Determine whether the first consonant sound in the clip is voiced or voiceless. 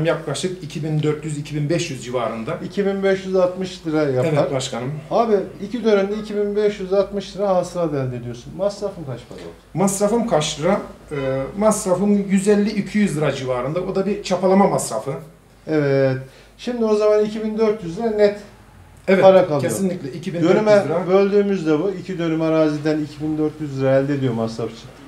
voiced